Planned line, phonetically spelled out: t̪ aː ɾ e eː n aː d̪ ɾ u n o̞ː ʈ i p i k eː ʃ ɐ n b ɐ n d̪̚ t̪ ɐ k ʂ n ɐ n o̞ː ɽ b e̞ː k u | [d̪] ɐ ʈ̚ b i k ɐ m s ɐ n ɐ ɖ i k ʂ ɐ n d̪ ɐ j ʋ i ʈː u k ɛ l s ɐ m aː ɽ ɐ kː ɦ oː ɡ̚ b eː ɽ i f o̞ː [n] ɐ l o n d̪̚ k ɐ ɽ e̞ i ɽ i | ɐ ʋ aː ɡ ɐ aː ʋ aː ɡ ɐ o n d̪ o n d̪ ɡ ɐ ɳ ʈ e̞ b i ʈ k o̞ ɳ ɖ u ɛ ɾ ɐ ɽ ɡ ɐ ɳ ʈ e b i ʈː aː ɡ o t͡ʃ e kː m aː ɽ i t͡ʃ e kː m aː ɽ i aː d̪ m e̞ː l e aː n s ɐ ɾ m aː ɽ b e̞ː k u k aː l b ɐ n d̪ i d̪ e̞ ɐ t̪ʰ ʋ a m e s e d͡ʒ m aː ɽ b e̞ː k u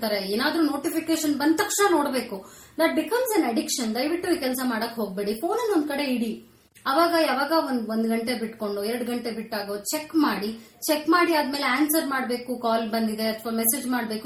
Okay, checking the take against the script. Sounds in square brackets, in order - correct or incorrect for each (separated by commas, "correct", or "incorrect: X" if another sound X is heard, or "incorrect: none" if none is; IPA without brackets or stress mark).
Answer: correct, correct